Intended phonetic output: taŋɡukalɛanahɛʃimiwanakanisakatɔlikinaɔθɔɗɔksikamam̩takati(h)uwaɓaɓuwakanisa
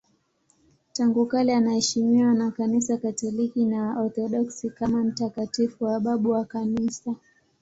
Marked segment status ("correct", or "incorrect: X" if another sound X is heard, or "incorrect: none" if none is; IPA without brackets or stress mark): incorrect: f